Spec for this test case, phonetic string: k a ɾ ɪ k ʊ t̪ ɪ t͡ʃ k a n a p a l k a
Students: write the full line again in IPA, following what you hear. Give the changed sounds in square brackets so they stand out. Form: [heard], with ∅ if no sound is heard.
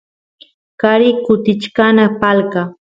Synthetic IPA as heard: k a ɾ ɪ k ʊ t̪ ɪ t͡ʃ k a n a p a l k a